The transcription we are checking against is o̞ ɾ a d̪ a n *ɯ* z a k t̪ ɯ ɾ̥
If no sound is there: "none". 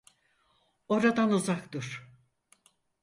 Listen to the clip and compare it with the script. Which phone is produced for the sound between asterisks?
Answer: u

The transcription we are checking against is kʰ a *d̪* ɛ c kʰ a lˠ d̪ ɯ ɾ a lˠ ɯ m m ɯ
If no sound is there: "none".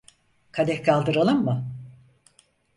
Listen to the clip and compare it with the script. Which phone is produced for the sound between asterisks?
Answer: d̪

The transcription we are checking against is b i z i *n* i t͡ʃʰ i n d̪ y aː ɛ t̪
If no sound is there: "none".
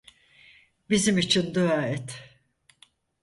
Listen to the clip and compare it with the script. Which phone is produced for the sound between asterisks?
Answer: m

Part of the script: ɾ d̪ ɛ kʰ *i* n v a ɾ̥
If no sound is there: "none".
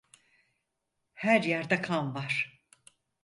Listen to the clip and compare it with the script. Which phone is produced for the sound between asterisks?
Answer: a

